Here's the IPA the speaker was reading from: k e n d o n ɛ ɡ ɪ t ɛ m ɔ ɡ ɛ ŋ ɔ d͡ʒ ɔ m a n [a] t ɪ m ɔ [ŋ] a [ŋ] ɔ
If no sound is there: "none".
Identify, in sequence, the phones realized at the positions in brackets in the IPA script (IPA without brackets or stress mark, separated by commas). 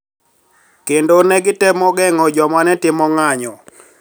ɛ, ŋ, ɲ